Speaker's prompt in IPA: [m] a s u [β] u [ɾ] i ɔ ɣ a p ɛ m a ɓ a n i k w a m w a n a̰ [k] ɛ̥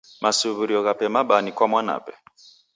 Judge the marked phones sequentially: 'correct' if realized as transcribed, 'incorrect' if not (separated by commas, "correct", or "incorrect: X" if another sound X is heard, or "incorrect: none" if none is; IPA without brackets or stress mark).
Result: correct, correct, correct, incorrect: p